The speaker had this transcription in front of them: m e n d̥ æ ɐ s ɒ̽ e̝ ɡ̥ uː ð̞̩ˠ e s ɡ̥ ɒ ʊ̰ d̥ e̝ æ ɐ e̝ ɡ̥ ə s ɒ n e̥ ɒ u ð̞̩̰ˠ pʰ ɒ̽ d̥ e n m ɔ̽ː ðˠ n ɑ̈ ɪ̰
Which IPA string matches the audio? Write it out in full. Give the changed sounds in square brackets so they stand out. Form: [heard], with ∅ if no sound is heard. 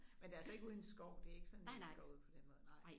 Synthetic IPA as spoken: m e n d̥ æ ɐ s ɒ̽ e̝ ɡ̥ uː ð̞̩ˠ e s ɡ̥ ɒ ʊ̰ d̥ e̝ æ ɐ e̝ ɡ̥ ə s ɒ n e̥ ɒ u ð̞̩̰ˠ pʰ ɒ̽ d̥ e n m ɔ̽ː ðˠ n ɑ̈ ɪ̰